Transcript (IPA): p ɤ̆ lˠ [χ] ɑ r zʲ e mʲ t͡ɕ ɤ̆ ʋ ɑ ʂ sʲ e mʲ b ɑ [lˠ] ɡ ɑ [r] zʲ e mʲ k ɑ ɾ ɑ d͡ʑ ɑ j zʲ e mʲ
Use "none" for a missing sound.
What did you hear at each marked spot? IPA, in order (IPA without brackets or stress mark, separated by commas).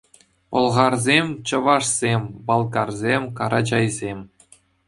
ʁ, lˠ, r